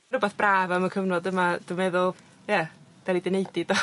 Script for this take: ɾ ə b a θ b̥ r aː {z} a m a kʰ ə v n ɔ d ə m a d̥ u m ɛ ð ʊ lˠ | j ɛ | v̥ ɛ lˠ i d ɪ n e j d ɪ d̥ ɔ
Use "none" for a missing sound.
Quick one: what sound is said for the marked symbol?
v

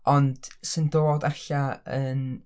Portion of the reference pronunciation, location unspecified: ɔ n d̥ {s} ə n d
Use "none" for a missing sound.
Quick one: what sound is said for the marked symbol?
s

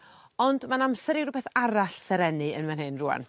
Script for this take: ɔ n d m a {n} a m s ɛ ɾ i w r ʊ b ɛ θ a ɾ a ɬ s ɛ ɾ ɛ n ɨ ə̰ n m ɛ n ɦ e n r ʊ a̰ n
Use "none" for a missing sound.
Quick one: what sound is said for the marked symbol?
n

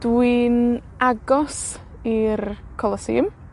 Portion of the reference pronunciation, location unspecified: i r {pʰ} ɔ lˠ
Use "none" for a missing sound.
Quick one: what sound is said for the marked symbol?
kʰ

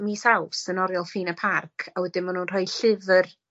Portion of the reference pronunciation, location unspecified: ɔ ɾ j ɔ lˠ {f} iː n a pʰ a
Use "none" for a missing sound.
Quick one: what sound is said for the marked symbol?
f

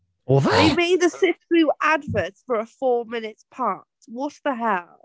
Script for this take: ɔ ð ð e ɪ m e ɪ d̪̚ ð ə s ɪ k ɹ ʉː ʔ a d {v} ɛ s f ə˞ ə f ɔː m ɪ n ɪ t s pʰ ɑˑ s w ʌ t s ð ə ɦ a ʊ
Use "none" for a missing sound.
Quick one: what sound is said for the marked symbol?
v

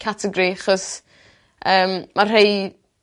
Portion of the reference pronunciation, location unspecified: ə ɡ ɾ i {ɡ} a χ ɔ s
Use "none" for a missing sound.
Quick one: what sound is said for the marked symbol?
none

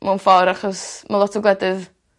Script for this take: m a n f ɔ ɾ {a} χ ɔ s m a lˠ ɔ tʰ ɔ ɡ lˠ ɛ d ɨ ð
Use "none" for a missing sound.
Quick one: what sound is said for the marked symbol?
a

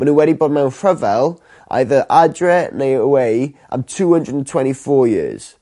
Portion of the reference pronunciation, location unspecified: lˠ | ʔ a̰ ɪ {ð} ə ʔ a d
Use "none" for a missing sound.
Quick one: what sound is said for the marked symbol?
ð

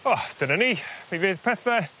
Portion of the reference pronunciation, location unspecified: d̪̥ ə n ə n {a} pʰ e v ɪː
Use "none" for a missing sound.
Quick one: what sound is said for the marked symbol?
i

